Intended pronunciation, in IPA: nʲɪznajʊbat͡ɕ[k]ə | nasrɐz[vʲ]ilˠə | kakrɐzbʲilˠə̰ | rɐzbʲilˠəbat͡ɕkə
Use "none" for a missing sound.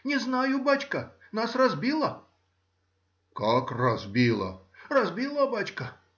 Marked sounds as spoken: k, bʲ

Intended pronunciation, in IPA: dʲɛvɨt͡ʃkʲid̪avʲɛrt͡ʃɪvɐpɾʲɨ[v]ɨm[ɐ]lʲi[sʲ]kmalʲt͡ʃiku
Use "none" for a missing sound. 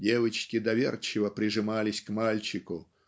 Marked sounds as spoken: ʐ, a, sʲ

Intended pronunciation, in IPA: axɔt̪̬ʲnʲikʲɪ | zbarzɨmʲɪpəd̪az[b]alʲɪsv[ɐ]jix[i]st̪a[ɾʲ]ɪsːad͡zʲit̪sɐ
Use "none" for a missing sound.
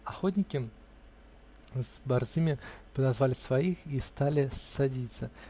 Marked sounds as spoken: v, a, i, lʲ

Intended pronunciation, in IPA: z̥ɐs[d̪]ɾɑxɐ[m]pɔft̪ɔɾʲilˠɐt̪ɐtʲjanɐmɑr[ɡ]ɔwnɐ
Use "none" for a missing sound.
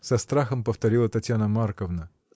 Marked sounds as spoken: t̪, m, k

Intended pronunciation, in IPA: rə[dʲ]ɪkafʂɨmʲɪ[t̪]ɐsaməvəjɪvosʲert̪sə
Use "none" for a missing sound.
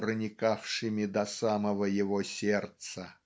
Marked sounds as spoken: nʲ, d̪

